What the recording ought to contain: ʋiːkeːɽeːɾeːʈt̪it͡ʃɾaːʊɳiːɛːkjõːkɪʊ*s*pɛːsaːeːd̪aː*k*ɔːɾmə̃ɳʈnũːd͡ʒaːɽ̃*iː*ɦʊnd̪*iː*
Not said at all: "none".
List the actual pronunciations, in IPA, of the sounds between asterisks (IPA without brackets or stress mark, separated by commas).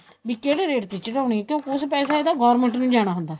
s, ɡ, aː, aː